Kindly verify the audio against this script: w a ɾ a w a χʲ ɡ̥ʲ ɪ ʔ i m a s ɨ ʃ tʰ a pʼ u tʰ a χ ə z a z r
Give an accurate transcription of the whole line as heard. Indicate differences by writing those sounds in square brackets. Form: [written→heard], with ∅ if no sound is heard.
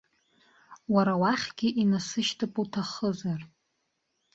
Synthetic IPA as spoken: w a ɾ a w a χʲ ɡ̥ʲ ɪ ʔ i [m→n] a s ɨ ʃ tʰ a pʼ u tʰ a χ ə z a [z→∅] r